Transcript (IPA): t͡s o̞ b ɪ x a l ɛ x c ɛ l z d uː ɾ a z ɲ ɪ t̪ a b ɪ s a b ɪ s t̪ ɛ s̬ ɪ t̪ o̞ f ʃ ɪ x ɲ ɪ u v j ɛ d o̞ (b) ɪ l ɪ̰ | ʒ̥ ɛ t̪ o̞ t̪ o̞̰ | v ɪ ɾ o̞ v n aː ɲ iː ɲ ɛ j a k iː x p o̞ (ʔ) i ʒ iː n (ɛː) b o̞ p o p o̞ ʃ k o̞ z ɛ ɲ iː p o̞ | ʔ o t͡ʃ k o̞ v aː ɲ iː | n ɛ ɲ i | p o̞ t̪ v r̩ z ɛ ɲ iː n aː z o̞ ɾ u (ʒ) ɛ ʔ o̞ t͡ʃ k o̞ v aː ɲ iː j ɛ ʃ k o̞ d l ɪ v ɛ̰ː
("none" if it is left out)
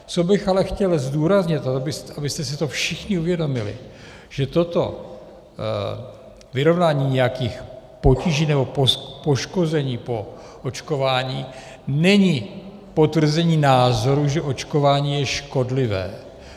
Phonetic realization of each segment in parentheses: m, c, ɛ, ʒ

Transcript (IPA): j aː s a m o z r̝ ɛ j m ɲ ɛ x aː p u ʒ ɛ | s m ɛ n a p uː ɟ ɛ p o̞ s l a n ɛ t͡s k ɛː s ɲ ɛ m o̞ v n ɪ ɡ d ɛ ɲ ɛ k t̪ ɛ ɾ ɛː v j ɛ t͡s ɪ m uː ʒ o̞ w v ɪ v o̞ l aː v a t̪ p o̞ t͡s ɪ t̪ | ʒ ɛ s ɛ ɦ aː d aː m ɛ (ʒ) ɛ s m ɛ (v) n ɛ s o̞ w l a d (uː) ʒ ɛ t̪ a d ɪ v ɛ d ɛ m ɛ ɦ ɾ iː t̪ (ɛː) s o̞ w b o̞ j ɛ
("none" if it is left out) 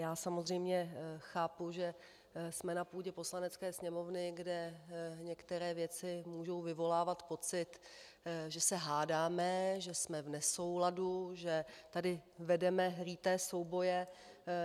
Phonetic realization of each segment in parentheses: ʒ, v, u, ɛː

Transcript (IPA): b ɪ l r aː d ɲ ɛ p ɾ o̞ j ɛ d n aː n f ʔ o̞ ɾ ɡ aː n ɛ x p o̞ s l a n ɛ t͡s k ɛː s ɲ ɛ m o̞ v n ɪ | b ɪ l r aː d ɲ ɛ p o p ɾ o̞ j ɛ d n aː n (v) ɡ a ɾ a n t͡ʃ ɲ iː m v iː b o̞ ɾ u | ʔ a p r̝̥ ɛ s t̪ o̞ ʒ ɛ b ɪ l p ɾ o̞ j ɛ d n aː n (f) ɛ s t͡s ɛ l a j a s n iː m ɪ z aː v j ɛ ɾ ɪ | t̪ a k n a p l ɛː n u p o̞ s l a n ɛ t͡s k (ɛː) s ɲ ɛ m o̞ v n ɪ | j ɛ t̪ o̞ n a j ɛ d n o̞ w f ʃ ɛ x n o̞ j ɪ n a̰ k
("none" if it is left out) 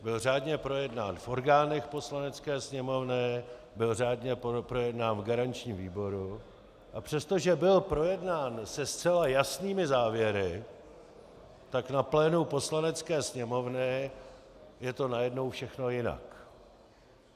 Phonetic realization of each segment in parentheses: v, s, ɛː

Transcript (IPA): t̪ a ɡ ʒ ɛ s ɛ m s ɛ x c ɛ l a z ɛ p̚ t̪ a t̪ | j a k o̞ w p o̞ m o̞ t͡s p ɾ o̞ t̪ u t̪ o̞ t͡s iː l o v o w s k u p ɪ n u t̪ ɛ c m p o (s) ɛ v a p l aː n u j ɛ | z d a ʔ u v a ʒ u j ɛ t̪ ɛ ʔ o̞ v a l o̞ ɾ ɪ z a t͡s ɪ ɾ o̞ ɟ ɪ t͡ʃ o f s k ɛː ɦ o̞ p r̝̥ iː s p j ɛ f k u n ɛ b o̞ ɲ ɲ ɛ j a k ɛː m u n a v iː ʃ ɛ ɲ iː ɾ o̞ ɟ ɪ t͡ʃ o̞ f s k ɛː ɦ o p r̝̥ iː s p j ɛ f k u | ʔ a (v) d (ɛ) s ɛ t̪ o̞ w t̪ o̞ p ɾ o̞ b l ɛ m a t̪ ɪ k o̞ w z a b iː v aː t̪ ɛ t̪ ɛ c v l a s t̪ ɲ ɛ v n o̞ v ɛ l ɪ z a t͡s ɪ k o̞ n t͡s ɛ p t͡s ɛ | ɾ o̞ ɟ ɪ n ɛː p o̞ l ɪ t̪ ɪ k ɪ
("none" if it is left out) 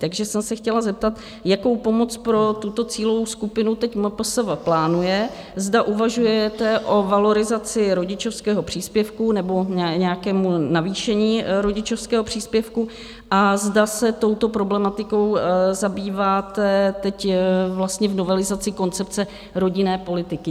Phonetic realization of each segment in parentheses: s, z, a

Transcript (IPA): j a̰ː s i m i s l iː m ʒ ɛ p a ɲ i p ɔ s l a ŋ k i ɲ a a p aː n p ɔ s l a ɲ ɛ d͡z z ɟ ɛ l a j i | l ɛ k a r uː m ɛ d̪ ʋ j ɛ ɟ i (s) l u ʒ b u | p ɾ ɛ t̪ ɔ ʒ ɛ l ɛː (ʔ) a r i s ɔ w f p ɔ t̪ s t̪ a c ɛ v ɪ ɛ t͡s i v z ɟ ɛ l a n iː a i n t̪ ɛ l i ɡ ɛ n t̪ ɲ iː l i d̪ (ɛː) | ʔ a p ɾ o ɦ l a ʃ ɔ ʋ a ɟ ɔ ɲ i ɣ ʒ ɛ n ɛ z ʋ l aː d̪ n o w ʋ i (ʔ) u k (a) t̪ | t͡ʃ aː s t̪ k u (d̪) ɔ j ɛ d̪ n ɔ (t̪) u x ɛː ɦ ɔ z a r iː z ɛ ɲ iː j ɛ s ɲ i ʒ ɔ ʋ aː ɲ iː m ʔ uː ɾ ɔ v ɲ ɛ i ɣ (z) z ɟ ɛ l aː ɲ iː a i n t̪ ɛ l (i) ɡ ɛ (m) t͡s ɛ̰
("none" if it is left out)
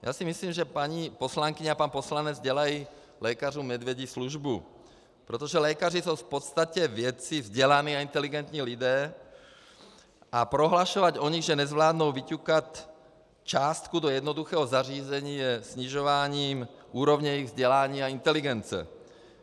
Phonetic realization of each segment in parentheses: s, k, ɛː, c, a, d̪, d̪, v, i, n

